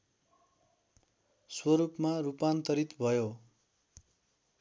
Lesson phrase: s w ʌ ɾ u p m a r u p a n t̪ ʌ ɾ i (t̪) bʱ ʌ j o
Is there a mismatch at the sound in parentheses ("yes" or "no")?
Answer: no